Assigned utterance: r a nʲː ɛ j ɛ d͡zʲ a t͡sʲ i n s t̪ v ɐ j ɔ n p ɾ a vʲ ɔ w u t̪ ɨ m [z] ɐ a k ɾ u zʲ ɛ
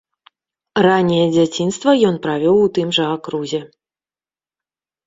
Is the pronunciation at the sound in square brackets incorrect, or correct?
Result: incorrect